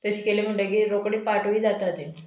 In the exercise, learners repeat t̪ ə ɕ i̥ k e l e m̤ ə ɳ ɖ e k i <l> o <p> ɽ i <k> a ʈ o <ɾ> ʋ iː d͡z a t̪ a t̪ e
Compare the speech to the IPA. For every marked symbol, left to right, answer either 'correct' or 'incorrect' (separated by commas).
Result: incorrect, incorrect, incorrect, incorrect